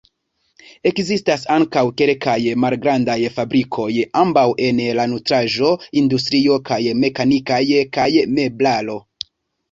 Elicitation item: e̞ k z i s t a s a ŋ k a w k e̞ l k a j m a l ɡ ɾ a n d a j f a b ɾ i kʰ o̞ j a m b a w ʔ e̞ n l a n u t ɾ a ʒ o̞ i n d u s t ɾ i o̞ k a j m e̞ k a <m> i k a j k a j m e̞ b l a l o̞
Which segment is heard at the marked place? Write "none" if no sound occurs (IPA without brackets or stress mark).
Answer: n